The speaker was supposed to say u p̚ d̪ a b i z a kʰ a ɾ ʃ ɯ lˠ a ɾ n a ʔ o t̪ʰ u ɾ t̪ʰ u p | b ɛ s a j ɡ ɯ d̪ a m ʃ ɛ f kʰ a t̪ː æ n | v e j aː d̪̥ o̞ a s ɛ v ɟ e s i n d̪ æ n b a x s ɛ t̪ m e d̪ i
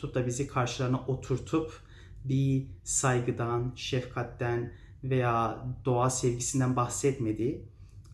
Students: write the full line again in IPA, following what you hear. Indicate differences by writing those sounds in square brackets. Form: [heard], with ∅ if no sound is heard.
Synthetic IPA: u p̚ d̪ a b i z [i] kʰ a ɾ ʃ ɯ lˠ a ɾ n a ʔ o t̪ʰ u ɾ t̪ʰ u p | b [i] s a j ɡ ɯ d̪ a [n] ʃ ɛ f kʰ a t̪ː æ n | v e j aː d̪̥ o̞ a s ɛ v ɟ [i] s i n d̪ æ n b a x s ɛ t̪ m e d̪ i